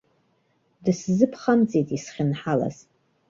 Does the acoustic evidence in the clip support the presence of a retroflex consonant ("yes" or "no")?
no